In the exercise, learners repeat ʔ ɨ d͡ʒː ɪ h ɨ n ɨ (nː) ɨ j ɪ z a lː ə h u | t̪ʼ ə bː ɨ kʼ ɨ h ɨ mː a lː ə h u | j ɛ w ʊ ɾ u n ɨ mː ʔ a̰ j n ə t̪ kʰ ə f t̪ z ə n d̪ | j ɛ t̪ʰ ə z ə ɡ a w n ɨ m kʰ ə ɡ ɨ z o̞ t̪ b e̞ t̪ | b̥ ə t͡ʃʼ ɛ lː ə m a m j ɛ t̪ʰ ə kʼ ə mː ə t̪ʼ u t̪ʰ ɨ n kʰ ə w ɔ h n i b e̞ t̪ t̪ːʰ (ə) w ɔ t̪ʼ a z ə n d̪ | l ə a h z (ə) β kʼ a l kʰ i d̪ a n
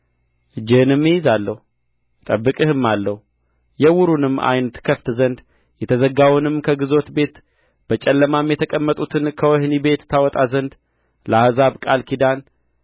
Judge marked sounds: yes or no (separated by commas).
no, no, no